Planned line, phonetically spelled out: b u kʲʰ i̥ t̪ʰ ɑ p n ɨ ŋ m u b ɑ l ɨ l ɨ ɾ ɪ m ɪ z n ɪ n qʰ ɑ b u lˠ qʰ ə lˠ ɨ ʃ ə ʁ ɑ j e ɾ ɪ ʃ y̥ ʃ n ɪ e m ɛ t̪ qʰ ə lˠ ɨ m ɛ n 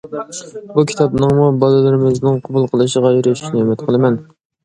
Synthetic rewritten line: b u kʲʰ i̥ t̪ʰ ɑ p n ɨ ŋ m u b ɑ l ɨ l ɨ ɾ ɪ m ɪ z n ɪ ŋ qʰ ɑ b u lˠ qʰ ə lˠ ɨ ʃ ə ʁ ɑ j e ɾ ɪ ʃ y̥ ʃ n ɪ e m ɛ t̪ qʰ ə lˠ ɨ m ɛ n